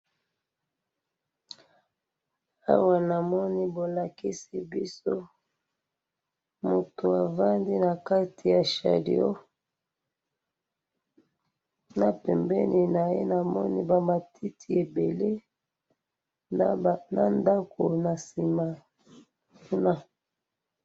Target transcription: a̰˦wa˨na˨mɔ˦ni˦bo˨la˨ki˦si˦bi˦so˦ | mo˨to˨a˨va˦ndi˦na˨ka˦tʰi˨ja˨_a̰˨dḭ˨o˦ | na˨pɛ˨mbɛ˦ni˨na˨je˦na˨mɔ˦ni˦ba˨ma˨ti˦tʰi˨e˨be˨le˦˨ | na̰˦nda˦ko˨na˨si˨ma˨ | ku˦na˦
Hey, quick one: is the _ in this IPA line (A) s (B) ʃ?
B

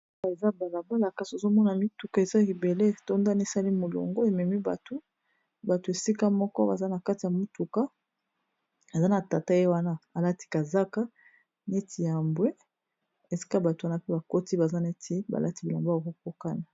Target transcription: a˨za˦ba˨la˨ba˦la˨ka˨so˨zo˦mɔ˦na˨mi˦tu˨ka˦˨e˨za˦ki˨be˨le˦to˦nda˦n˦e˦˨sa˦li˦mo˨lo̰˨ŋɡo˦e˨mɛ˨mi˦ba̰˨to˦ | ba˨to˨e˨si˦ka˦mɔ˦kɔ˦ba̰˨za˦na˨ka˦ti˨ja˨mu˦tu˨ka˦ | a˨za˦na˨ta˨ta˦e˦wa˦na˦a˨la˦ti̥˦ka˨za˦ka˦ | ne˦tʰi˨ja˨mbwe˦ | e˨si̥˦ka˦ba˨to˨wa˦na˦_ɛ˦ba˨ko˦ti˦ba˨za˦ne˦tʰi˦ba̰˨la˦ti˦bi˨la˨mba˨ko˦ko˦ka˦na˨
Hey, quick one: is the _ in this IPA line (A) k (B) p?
B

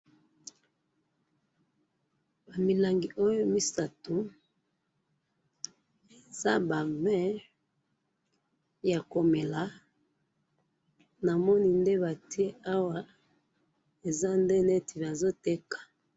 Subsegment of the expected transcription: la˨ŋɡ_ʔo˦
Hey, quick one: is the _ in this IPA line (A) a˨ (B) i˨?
B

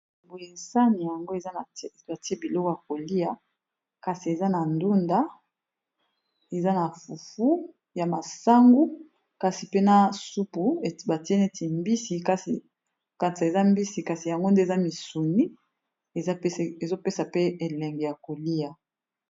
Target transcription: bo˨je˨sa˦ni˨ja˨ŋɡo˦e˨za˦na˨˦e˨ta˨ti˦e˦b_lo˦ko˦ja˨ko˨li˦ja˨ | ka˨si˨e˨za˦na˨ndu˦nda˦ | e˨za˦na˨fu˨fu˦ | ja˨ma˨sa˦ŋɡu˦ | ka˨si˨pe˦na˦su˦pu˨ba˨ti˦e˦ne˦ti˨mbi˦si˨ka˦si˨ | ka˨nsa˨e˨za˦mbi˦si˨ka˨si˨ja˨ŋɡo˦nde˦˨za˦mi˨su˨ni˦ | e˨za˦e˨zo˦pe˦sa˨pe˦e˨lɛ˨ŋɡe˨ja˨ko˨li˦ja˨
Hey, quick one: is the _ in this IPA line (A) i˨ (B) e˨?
A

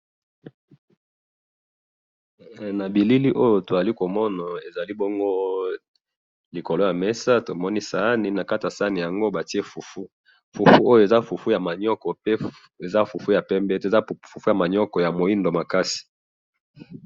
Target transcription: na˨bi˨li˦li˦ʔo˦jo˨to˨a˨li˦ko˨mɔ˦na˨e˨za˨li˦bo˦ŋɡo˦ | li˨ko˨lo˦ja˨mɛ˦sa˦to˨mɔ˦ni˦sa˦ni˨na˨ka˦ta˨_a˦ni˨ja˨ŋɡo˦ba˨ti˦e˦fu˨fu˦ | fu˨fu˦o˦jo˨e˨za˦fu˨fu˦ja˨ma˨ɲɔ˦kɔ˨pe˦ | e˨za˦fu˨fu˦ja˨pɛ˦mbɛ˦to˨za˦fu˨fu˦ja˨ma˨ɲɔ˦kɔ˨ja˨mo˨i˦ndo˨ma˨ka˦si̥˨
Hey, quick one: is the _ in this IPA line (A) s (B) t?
A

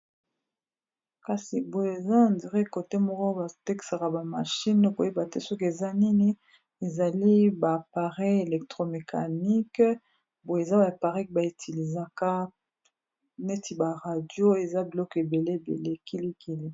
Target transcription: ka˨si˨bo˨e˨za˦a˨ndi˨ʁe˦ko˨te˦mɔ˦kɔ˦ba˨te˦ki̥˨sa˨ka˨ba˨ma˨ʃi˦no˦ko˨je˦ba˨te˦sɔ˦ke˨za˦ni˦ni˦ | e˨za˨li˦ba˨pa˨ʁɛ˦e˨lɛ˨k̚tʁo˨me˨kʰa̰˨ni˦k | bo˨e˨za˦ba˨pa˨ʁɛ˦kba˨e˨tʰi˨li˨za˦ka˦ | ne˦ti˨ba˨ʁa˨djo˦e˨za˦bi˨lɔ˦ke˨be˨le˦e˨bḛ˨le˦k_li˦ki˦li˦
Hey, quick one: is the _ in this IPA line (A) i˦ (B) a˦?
A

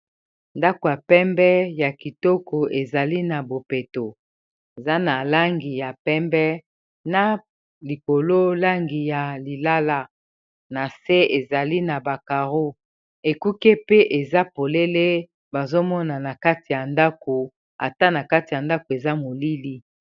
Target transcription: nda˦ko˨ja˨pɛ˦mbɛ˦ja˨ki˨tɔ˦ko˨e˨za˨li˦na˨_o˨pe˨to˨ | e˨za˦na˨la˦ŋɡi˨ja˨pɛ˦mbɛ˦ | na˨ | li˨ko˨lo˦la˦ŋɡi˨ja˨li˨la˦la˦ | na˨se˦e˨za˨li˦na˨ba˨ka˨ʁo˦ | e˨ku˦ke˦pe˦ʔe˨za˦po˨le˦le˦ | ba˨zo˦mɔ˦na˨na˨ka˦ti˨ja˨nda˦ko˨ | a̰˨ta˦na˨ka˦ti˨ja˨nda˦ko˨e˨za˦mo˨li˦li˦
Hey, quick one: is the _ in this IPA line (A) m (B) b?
B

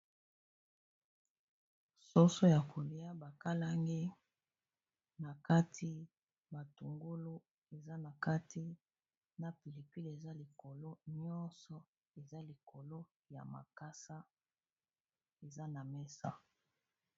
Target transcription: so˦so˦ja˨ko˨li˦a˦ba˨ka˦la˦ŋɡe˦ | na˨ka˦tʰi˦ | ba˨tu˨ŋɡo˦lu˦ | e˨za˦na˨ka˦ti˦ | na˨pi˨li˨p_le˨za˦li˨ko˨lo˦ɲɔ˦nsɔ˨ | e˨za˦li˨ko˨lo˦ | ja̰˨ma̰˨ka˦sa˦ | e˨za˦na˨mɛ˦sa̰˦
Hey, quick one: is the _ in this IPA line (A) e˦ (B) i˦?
B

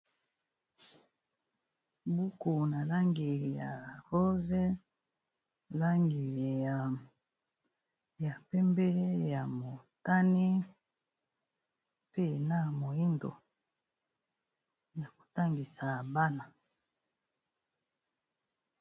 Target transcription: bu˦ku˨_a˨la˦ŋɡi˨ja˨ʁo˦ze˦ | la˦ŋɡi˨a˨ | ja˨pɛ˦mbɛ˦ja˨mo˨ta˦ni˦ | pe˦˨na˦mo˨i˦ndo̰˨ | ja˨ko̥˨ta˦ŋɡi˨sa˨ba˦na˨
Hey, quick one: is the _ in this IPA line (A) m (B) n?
B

